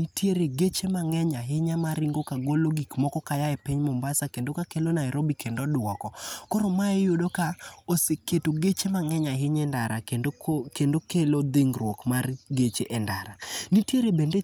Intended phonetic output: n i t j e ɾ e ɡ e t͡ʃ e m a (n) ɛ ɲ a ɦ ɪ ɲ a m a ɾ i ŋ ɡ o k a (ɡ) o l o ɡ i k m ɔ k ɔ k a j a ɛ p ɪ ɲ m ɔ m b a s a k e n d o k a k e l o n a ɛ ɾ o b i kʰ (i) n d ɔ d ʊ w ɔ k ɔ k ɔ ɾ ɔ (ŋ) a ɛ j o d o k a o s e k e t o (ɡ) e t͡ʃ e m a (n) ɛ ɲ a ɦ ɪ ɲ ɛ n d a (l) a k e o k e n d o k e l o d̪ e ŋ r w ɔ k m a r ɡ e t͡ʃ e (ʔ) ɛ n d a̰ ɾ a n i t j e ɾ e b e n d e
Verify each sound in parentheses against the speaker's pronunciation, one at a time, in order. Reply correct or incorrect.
incorrect, correct, incorrect, incorrect, correct, incorrect, incorrect, correct

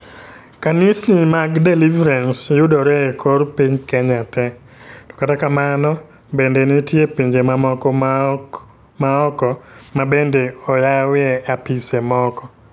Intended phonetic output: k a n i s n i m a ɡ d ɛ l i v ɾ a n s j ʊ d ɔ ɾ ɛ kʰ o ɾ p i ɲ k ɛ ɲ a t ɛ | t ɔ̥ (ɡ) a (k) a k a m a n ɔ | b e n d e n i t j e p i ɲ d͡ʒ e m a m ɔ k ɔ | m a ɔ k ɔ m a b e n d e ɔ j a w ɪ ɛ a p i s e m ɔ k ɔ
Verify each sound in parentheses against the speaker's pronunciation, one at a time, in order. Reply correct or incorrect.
incorrect, incorrect

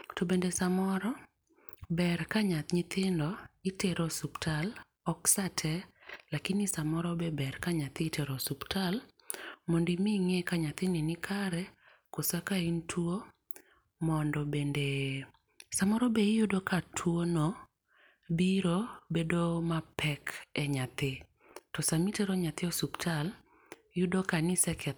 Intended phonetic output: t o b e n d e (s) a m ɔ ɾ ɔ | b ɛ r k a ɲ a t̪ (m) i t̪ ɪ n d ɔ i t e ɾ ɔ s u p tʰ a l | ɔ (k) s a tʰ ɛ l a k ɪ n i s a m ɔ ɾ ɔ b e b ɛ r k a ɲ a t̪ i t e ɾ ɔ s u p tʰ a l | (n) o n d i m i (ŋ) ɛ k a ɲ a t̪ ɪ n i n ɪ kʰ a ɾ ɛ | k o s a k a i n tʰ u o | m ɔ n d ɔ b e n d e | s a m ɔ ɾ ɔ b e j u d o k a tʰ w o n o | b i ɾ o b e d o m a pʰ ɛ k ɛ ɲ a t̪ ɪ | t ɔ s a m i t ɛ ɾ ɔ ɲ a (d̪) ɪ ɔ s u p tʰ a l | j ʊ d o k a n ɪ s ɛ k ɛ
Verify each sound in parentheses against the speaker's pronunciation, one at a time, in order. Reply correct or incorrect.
correct, incorrect, correct, incorrect, correct, incorrect

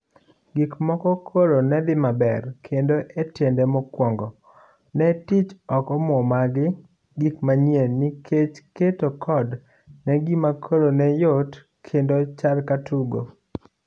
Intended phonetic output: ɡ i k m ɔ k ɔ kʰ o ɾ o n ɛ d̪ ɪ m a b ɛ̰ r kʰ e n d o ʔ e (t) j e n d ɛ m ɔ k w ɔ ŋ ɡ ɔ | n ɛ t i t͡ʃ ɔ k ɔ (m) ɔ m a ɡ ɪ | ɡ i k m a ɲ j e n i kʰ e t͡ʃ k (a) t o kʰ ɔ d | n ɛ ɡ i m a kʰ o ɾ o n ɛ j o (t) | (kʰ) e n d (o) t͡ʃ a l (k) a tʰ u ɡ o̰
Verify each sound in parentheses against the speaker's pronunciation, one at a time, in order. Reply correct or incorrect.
correct, correct, incorrect, correct, correct, correct, correct

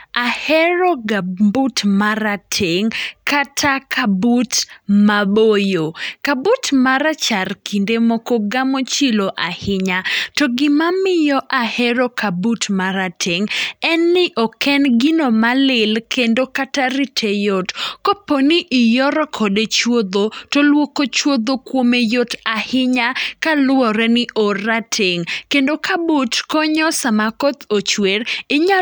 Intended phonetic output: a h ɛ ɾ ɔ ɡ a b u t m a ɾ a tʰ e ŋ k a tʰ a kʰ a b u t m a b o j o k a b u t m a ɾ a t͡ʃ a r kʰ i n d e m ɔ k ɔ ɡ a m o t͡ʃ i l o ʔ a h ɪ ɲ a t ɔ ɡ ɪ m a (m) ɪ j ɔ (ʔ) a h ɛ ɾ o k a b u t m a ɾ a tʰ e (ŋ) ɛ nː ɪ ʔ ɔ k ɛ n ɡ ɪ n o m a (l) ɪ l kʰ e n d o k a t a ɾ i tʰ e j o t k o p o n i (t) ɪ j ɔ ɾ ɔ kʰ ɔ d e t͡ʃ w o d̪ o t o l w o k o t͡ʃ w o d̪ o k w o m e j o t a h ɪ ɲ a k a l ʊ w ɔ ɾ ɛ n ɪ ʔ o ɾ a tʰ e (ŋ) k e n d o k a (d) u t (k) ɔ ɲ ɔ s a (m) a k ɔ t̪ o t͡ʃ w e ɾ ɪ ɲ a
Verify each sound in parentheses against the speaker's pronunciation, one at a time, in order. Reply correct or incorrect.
correct, correct, correct, correct, incorrect, correct, incorrect, correct, correct

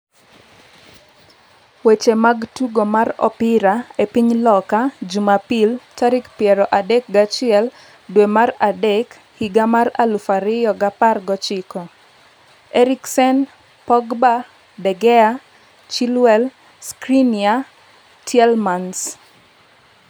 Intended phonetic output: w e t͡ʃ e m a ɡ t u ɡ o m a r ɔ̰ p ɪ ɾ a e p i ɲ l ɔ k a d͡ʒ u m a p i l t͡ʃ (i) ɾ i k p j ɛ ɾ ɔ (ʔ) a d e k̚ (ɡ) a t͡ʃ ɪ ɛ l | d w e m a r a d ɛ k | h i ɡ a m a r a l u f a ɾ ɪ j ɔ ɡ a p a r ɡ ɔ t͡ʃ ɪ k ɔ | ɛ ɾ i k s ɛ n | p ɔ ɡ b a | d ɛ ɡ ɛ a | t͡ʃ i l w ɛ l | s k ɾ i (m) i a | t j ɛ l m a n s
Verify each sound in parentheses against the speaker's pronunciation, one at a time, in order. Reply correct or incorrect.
incorrect, correct, correct, incorrect

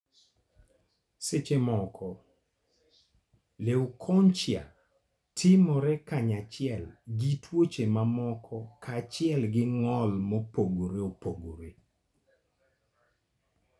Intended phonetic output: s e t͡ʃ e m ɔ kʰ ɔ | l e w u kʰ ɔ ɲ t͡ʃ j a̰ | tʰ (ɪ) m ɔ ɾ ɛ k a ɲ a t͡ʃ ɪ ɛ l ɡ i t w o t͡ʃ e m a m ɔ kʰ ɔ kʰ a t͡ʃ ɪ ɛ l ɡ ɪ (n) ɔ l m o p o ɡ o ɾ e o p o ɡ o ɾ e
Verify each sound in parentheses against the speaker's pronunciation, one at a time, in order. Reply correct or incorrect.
correct, incorrect

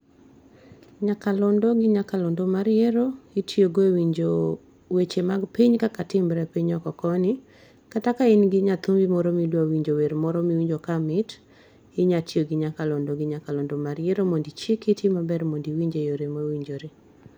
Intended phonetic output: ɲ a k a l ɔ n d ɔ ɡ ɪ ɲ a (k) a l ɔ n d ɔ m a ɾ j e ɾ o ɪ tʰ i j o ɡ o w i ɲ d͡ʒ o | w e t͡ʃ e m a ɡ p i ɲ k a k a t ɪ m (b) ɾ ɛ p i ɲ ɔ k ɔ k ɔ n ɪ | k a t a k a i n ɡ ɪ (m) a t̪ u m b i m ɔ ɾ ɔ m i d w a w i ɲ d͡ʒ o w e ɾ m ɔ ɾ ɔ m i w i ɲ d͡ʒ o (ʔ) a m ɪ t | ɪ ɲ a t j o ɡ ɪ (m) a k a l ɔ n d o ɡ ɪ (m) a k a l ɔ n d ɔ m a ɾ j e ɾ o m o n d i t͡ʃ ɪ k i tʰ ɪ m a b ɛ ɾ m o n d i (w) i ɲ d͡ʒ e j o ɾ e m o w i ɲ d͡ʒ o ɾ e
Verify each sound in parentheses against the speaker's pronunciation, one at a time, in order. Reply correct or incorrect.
correct, correct, incorrect, incorrect, incorrect, incorrect, correct

